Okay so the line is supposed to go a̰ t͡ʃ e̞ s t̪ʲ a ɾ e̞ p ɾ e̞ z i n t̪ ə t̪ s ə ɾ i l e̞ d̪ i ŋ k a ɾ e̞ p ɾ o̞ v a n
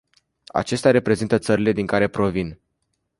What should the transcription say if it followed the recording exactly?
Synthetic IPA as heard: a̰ t͡ʃ e̞ s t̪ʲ a ɾ e̞ p ɾ e̞ z i n t̪ ə t̪ s ə ɾ i l e̞ d̪ i ŋ k a ɾ e̞ p ɾ o̞ v i n